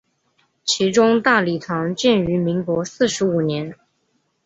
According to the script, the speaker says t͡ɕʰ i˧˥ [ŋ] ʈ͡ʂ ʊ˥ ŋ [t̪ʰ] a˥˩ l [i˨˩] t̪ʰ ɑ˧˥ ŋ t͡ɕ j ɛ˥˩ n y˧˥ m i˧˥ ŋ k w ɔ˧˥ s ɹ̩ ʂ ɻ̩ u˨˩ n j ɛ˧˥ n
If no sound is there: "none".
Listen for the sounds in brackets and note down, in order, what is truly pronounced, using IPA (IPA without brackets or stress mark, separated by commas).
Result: none, t̪, i˨˩